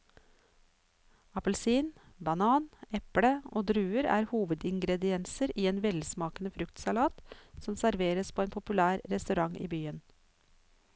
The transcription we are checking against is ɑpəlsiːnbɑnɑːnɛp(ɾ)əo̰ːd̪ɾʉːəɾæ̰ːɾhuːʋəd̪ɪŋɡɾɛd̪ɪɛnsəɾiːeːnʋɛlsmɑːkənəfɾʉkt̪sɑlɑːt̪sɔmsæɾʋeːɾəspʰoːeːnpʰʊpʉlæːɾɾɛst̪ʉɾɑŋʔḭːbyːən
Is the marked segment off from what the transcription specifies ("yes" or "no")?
yes